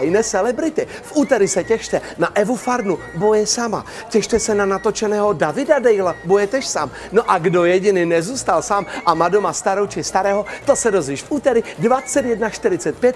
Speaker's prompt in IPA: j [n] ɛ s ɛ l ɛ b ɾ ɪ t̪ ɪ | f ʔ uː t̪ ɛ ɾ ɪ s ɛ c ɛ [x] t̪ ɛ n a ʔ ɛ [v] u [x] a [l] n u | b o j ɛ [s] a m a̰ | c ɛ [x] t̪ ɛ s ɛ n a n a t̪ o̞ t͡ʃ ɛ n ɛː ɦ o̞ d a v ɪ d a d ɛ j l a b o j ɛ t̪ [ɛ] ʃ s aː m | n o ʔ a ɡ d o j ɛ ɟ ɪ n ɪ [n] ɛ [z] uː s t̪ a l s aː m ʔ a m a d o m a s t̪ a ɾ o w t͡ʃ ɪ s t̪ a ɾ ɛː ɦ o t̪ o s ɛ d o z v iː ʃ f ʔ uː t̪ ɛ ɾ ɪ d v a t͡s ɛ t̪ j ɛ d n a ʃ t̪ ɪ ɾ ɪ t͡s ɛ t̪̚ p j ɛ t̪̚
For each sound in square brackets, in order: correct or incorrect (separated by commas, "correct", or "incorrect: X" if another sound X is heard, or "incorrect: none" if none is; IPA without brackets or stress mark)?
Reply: correct, incorrect: ʃ, correct, incorrect: f, incorrect: ɾ, correct, incorrect: ʃ, correct, correct, correct